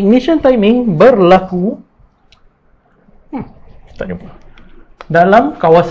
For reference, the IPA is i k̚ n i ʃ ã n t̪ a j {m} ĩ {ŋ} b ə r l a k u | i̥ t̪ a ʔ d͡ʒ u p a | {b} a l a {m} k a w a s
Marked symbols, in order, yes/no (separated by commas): yes, yes, no, yes